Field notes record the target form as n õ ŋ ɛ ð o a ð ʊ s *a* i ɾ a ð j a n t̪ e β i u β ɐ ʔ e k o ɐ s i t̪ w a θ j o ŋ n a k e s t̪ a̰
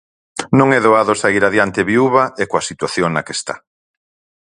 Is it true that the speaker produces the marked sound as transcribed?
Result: yes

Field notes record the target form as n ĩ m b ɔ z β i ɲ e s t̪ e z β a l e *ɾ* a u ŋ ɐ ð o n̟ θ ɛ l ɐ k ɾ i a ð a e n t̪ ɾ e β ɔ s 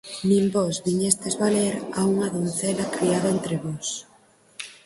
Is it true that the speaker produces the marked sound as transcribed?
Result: yes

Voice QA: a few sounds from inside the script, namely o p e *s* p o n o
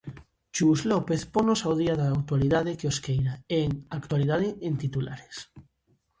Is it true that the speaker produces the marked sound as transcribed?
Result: no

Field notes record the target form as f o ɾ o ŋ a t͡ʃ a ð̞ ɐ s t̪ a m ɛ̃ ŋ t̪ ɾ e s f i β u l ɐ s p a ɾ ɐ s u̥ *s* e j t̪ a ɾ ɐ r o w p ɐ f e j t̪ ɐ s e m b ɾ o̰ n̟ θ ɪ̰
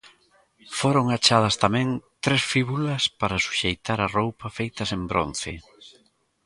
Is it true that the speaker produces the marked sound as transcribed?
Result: no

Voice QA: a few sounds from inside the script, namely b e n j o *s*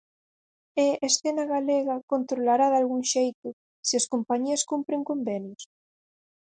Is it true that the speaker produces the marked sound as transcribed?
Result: yes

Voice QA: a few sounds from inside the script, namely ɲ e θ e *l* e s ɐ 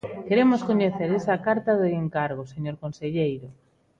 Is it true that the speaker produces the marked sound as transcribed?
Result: no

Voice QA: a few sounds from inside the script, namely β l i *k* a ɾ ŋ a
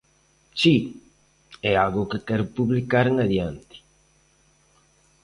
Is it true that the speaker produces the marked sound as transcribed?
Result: yes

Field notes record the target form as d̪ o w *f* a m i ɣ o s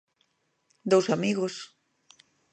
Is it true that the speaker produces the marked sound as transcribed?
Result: no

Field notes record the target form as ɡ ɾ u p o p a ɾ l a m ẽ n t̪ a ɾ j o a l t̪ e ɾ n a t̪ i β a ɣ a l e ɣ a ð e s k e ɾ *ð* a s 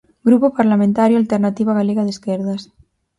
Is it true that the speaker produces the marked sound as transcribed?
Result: yes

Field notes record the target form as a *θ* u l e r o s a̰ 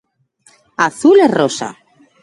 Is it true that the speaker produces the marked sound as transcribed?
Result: yes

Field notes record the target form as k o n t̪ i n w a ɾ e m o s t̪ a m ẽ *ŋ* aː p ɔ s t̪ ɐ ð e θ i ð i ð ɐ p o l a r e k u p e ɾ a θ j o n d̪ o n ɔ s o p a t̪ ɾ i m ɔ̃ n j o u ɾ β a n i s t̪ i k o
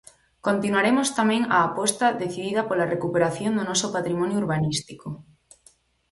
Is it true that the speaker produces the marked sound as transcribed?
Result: yes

